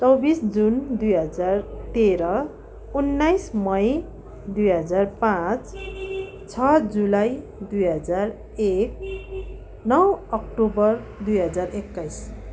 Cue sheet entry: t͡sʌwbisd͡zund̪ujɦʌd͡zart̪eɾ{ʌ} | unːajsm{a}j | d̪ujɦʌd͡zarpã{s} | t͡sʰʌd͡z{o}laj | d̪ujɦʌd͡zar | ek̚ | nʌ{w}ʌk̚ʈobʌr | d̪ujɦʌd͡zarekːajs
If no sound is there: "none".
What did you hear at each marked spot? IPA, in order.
ʌ, ʌ, t͡s, u, w

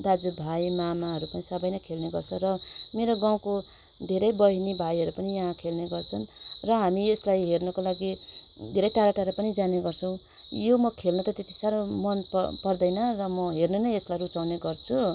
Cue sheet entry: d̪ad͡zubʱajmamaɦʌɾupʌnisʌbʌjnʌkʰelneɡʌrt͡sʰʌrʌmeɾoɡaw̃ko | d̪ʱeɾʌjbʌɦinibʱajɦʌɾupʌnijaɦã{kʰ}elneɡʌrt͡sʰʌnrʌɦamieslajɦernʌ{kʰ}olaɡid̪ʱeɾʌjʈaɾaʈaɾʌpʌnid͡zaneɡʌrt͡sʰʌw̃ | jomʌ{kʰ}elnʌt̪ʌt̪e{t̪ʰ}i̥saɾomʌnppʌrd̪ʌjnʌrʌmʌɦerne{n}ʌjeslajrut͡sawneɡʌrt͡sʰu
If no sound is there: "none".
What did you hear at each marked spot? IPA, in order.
kʰ, k, kʰ, t̪, n

